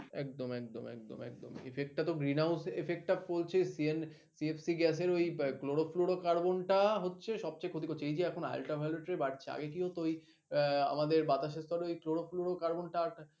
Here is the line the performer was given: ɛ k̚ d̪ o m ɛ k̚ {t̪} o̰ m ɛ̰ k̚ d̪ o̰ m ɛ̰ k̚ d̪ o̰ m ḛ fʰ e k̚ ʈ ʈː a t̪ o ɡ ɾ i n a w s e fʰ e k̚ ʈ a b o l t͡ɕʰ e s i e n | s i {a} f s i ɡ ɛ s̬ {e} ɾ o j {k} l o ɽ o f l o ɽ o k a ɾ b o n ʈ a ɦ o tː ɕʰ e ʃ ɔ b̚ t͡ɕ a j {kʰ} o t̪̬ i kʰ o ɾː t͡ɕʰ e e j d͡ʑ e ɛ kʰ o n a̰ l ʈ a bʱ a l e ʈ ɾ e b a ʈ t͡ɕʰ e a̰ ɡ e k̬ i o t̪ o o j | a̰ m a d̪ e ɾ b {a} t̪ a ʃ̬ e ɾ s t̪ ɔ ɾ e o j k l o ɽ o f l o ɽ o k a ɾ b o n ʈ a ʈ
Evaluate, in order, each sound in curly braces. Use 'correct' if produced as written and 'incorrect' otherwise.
incorrect, incorrect, correct, correct, correct, correct

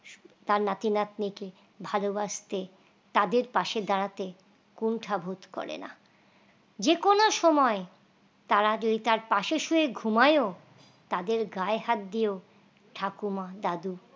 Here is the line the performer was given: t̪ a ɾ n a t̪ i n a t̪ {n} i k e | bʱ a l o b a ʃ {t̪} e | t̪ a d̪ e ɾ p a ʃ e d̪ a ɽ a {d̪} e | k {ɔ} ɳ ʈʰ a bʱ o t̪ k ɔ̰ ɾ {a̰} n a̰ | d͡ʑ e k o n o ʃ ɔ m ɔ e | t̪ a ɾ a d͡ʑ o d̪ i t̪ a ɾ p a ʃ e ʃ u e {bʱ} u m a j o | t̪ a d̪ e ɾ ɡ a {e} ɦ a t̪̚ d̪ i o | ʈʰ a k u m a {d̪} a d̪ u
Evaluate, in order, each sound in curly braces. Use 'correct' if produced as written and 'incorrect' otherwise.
correct, correct, incorrect, incorrect, incorrect, incorrect, correct, correct

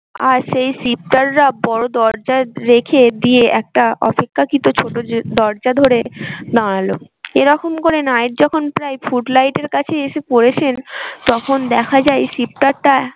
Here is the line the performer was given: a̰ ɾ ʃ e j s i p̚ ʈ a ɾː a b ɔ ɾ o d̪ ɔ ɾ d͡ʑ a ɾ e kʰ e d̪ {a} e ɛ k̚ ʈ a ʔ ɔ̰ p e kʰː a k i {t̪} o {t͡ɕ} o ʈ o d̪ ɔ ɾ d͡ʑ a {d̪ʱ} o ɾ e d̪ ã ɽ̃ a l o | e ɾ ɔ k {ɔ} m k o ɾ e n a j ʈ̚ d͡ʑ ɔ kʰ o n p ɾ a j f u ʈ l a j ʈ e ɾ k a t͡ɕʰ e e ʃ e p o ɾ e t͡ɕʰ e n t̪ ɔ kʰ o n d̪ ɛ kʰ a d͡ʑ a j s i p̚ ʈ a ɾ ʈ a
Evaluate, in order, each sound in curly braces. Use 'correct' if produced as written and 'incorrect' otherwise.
incorrect, correct, incorrect, correct, incorrect

